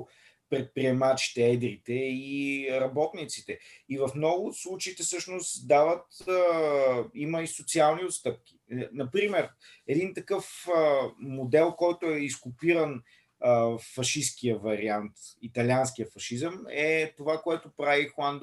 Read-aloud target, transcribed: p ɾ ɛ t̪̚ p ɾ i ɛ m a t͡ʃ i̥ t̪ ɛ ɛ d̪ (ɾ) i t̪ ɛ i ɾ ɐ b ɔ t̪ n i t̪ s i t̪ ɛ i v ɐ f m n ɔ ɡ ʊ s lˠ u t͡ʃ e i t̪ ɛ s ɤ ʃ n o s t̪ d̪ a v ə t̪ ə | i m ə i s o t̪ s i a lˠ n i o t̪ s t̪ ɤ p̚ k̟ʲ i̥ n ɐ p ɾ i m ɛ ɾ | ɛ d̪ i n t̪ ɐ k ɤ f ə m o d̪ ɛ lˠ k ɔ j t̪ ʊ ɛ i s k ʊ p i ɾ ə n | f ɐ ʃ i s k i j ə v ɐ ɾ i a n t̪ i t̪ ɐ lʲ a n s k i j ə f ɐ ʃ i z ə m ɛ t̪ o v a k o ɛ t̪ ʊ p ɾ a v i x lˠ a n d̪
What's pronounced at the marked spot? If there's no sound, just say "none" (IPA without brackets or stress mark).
ɾ